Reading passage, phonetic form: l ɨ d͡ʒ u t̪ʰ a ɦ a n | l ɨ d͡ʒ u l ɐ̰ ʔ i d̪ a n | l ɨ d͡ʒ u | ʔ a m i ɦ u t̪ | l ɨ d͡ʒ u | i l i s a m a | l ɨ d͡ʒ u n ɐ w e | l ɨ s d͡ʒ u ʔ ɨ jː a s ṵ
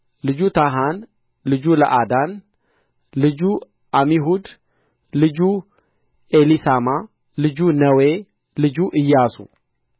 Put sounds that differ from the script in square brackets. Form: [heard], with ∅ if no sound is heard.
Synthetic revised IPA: l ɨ d͡ʒ u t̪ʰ a ɦ a n | l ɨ d͡ʒ u l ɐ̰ ʔ [a] d̪ a n | l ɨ d͡ʒ u | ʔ a m i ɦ u [d̪] | l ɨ d͡ʒ u | [e] l i s a m a | l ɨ d͡ʒ u n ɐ w e | l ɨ [∅] d͡ʒ u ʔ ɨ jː a s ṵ